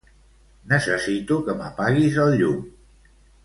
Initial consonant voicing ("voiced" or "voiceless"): voiced